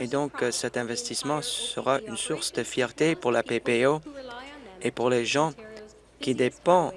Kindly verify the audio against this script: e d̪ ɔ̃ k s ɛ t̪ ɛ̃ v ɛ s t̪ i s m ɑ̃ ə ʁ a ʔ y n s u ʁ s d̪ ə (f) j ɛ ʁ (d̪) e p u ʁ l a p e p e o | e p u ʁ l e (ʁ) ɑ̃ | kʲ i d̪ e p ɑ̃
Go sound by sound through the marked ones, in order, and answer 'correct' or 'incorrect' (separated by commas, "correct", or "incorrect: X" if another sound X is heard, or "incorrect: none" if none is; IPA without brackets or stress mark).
correct, incorrect: t̪, incorrect: ʒ